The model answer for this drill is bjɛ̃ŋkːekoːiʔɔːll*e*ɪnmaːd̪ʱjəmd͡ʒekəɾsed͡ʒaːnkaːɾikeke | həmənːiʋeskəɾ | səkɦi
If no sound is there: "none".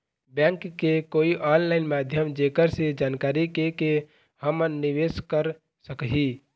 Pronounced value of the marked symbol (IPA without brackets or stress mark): a